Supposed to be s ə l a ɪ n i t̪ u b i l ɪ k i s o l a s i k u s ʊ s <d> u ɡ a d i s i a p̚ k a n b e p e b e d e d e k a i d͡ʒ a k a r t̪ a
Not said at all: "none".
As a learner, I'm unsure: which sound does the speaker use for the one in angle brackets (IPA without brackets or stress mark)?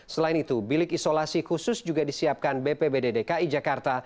d͡ʒ